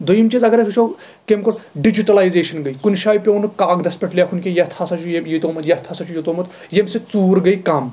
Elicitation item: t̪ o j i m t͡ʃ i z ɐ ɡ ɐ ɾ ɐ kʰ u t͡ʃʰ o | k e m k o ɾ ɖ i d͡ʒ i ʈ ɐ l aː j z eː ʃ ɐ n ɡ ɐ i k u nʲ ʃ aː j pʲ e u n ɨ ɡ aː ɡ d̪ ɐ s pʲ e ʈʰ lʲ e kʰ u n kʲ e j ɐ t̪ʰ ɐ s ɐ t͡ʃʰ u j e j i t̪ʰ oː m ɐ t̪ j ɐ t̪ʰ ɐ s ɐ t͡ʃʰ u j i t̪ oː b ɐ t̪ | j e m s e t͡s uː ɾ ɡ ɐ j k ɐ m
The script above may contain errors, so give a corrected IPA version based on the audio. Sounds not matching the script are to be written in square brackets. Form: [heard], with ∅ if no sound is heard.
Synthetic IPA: [d̪] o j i m t͡ʃ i z ɐ ɡ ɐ ɾ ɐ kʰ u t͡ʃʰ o | k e m k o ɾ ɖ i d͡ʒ i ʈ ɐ l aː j z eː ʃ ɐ n ɡ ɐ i k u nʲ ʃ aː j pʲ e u n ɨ [k] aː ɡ d̪ ɐ s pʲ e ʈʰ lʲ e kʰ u n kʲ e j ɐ t̪ʰ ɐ s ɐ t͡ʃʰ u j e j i [t̪] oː m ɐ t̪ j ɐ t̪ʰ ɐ s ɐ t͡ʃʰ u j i t̪ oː [m] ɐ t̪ | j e m s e t͡s uː ɾ ɡ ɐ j k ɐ m